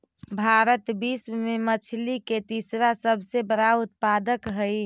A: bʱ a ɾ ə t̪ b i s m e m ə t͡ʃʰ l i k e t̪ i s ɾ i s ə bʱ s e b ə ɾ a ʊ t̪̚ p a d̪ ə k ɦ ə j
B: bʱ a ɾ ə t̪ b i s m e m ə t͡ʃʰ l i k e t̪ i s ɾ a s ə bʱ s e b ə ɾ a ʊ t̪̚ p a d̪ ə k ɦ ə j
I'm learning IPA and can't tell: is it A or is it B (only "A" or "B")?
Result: B